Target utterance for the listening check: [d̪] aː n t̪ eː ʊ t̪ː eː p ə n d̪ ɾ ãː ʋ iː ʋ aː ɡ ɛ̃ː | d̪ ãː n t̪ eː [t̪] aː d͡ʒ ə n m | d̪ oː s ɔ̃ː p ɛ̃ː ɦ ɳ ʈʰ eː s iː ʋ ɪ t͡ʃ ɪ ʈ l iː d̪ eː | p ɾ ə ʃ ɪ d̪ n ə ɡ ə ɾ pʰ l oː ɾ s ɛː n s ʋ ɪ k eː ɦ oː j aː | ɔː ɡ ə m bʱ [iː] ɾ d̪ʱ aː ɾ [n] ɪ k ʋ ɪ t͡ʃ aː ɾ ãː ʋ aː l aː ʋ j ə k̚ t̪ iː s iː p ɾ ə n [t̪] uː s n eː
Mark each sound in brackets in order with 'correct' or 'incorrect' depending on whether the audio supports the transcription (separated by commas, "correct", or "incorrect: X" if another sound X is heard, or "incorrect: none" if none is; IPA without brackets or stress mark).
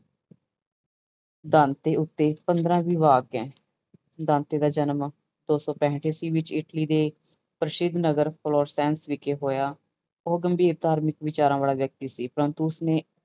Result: correct, incorrect: d̪, correct, incorrect: m, correct